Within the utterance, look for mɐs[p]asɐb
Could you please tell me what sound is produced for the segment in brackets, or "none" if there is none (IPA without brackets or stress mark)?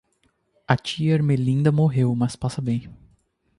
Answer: p